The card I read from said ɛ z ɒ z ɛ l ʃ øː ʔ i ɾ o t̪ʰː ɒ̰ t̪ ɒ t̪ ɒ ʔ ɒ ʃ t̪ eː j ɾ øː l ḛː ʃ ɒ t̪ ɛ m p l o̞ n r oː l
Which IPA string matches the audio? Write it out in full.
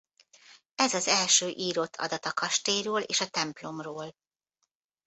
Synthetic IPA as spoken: ɛ z ɒ z ɛ l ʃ øː ʔ iː ɾ o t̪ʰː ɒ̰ d̪ ɒ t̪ ɒ k ɒ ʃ t̪ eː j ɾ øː l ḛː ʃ ɒ t̪ ɛ m p l o̞ m r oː l